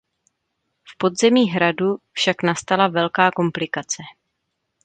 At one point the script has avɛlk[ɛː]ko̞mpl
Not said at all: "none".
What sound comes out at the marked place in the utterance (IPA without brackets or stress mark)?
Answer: aː